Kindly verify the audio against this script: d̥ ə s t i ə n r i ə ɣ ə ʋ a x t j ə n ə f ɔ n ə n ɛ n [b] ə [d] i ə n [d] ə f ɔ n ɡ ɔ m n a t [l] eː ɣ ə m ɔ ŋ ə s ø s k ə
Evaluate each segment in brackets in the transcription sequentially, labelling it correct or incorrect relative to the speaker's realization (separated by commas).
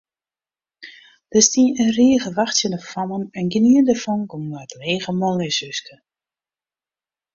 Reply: incorrect, incorrect, correct, correct